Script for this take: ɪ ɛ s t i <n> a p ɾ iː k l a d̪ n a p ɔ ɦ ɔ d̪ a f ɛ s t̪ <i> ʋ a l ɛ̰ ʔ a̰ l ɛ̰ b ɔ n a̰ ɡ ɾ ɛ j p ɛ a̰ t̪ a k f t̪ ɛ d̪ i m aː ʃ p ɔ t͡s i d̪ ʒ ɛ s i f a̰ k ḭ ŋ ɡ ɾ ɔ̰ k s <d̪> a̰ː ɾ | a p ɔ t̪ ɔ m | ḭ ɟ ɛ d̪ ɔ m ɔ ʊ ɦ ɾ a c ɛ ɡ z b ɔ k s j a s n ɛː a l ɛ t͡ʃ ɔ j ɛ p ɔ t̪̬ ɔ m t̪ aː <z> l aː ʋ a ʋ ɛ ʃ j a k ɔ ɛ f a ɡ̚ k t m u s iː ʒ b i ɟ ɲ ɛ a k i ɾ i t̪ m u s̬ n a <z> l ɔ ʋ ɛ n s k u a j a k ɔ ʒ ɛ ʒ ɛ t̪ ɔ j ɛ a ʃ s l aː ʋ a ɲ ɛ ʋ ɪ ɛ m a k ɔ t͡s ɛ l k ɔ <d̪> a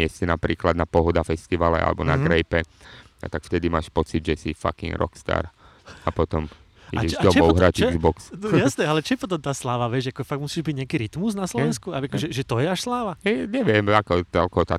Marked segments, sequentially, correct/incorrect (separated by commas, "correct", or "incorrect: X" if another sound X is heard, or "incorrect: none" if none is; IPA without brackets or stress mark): correct, correct, incorrect: t̪, incorrect: s, incorrect: s, incorrect: t̪